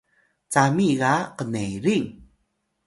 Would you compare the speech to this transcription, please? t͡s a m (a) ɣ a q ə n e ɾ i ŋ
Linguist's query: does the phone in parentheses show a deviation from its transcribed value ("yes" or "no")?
yes